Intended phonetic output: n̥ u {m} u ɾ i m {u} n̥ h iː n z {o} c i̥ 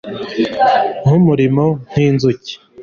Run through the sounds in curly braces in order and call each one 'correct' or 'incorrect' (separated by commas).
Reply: correct, incorrect, incorrect